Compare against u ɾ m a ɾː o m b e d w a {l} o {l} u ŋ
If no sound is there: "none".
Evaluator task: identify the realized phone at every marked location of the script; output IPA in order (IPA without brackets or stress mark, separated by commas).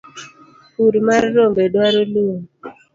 ɾ, l